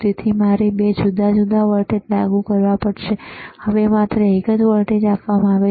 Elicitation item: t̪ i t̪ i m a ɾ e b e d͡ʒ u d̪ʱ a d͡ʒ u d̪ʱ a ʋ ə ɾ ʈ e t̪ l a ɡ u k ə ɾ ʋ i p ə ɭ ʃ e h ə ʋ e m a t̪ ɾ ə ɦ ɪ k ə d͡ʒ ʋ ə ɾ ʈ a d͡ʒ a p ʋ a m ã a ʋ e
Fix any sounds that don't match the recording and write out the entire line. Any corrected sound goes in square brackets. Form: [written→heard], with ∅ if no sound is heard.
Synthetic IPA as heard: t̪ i [t̪→t̪ʰ] i m a ɾ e b e d͡ʒ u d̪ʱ a d͡ʒ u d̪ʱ a ʋ ə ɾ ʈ e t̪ l a ɡ u k ə ɾ ʋ [i→a] p ə [ɭ→ɽ] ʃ e h ə ʋ e m a t̪ ɾ ə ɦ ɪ k ə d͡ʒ ʋ ə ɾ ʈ [a→e] d͡ʒ a p ʋ a m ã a ʋ e

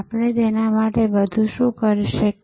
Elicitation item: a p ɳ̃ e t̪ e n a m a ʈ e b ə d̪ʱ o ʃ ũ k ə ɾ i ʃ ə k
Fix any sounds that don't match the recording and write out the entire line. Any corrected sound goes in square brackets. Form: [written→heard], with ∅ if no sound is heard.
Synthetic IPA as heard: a p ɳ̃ e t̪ e n a m a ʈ e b ə d̪ʱ [o→u] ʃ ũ k ə ɾ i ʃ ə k

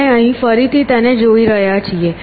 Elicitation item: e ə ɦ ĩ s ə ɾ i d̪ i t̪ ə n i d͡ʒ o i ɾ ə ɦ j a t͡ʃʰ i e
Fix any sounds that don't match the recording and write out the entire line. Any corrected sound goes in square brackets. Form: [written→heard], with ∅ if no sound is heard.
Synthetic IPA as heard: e ə ɦ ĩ [s→f] ə ɾ i [d̪→t̪] i t̪ ə n [i→e] d͡ʒ o i ɾ ə ɦ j a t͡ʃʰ i e

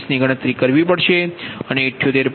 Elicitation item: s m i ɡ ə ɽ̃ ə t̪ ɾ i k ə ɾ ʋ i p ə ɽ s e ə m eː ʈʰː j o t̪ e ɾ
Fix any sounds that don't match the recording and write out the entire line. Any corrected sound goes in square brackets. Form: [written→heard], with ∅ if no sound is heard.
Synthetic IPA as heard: s [m→n] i ɡ ə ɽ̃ ə t̪ ɾ i k ə ɾ ʋ i p ə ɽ [s→ʃ] e ə [m→n] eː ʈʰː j o t̪ e ɾ

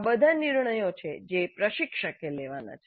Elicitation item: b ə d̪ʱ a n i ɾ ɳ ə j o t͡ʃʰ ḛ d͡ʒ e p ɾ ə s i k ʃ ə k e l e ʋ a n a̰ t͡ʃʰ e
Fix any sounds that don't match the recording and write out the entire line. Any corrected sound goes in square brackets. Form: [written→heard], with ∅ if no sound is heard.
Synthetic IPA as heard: b ə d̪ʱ a n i ɾ ɳ ə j o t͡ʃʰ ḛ d͡ʒ e p ɾ ə [s→ʃ] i k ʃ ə k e l e ʋ a n a̰ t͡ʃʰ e

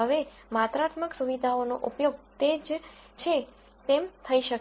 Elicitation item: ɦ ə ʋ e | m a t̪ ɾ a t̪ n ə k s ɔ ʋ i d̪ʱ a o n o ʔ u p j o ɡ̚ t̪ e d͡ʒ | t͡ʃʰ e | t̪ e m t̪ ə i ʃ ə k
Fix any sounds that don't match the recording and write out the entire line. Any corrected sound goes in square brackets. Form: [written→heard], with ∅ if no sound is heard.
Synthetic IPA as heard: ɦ ə ʋ e | m a t̪ ɾ a t̪ [n→m] ə k s [ɔ→u] ʋ i d̪ʱ a o n o ʔ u p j o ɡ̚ t̪ e d͡ʒ | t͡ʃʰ e | t̪ e m [t̪→t̪ʰ] ə i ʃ ə k

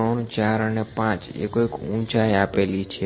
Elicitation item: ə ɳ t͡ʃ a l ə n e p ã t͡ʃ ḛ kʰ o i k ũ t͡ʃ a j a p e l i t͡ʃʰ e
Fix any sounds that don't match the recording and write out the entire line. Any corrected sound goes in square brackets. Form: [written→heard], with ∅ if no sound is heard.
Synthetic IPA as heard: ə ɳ t͡ʃ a [l→ɾ] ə n e p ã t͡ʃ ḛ [kʰ→k] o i k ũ t͡ʃ a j a p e l i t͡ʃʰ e

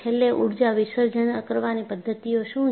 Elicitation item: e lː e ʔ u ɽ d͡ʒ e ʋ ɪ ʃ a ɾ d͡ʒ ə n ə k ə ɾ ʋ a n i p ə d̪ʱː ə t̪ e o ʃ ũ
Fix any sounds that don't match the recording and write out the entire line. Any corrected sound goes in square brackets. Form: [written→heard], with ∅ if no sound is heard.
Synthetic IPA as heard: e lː e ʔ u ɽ d͡ʒ [e→a] ʋ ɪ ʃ [a→ə] ɾ d͡ʒ ə n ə k ə ɾ ʋ a n i p ə d̪ʱː ə t̪ [e→i] o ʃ ũ

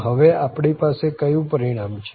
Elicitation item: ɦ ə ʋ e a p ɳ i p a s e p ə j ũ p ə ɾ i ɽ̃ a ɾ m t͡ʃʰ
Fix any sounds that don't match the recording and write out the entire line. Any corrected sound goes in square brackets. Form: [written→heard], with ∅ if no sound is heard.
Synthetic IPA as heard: ɦ ə ʋ e a p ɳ i p a s e [p→k] ə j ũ p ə ɾ i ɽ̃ a [ɾ→∅] m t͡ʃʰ

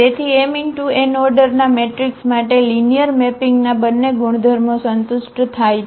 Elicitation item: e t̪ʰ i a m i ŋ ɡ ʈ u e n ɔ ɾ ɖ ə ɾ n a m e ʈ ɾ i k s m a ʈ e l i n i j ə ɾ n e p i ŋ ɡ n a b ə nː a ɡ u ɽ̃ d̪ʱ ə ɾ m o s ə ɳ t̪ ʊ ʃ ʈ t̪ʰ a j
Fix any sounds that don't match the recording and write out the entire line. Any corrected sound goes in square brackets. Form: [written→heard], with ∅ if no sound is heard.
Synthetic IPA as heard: e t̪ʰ i [a→e] m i ŋ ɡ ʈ u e n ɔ ɾ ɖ ə ɾ n a m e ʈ ɾ i k s m a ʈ e l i n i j ə ɾ [n→m] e p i ŋ ɡ n a b ə nː [a→e] ɡ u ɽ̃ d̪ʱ ə ɾ m o s ə [ɳ→n] t̪ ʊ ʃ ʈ t̪ʰ a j

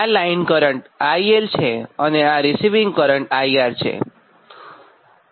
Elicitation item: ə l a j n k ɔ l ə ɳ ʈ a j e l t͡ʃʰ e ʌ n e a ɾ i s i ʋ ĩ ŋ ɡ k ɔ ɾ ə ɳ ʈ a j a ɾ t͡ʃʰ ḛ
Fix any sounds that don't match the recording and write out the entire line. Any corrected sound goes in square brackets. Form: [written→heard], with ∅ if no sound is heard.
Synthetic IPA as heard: [ə→a] l a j n k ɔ [l→ɾ] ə ɳ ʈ a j e l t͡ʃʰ e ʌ n e a ɾ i s i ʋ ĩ ŋ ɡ k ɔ ɾ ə ɳ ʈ a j a ɾ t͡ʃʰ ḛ

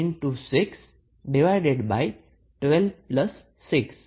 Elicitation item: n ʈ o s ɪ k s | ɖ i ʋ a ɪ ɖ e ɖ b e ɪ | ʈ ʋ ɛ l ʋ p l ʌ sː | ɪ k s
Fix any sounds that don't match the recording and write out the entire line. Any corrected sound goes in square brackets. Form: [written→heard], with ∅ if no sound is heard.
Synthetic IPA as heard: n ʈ [o→u] s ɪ k s | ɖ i ʋ a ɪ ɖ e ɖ b [e→a] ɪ | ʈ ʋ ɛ l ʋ p l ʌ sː | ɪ k s

